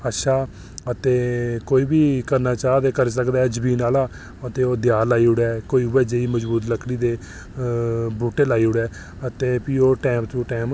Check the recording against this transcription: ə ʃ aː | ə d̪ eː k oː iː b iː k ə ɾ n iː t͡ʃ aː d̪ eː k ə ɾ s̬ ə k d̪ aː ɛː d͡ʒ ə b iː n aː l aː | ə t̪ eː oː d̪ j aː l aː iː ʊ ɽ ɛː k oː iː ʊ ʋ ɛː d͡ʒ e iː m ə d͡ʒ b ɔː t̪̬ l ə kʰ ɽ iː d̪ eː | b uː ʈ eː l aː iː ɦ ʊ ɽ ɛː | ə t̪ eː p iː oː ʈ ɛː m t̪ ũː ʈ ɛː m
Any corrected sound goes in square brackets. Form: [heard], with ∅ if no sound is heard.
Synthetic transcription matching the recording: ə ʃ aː | ə [t̪] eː k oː iː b iː k ə ɾ n [aː] t͡ʃ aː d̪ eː k ə ɾ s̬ ə k d̪ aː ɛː d͡ʒ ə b iː n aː l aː | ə t̪ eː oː d̪ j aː l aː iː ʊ ɽ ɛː k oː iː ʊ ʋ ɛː d͡ʒ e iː m ə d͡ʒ b [uː] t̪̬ l ə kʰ ɽ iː d̪ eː | b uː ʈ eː l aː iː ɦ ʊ ɽ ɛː | ə t̪ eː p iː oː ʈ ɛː m t̪ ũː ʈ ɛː m

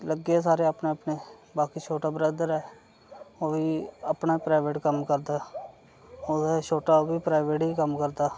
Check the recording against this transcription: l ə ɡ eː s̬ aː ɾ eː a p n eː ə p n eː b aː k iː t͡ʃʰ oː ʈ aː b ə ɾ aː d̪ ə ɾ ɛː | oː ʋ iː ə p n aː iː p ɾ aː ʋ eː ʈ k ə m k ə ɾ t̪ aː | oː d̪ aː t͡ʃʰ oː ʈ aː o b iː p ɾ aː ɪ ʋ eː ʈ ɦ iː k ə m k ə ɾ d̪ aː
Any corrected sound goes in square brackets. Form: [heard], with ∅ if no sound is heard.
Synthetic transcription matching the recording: l ə ɡ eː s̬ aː ɾ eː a p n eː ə p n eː b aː k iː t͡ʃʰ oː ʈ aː b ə ɾ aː d̪ ə ɾ ɛː | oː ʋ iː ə p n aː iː p ɾ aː ʋ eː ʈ k ə m k ə ɾ [d̪] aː | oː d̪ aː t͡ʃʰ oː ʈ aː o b iː p ɾ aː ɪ ʋ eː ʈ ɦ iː k ə m k ə ɾ d̪ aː

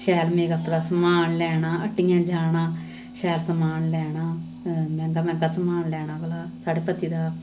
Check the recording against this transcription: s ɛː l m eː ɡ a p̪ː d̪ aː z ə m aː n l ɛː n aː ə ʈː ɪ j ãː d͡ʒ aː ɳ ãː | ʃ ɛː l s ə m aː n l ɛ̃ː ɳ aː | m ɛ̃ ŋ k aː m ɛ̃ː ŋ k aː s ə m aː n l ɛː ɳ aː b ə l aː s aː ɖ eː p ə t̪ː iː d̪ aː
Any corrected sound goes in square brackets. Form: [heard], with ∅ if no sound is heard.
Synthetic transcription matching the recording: [ʃ] ɛː l m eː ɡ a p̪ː d̪ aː [s] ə m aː n l ɛː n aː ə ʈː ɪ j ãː d͡ʒ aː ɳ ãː | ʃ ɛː l s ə m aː n l [ɛː] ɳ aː | m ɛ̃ ŋ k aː m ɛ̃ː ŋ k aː s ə m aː n l ɛː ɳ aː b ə l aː s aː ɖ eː p ə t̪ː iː d̪ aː

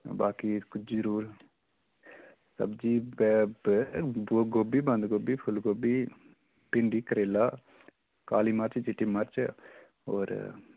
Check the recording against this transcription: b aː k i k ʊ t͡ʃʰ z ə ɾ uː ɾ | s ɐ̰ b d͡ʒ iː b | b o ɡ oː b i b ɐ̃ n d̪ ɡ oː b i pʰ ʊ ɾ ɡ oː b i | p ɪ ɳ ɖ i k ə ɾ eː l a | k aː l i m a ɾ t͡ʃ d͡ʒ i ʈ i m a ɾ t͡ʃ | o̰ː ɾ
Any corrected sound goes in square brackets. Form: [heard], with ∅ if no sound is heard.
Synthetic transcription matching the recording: b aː k i k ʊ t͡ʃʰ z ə ɾ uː ɾ | s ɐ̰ b d͡ʒ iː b | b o ɡ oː b i b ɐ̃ n d̪ ɡ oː b i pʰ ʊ [l] ɡ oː b i | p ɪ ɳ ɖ i k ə ɾ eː l a | k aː l i m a ɾ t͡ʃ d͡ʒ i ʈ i m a ɾ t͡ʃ | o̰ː ɾ

